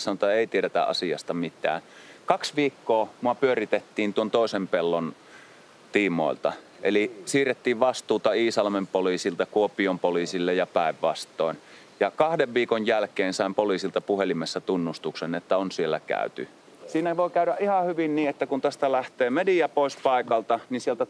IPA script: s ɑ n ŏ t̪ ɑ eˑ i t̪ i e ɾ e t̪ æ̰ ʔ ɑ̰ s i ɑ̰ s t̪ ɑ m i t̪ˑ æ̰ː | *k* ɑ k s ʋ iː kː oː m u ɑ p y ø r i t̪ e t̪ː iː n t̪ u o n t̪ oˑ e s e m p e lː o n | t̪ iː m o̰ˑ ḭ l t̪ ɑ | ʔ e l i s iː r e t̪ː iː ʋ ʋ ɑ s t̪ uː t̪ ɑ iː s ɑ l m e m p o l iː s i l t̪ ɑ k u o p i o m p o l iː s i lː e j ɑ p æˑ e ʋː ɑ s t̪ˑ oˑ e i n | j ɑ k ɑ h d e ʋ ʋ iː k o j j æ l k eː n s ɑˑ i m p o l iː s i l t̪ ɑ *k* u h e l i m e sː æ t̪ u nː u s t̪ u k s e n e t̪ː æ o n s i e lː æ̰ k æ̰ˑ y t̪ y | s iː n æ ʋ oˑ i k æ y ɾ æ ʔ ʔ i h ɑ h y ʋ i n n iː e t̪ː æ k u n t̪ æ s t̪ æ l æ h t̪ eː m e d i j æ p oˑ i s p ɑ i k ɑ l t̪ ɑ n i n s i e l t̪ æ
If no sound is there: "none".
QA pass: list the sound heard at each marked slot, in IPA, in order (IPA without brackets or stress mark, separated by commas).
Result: k, p